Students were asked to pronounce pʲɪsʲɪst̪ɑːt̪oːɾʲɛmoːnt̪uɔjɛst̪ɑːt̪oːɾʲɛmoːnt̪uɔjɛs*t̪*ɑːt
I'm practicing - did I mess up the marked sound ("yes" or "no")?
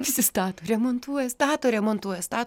no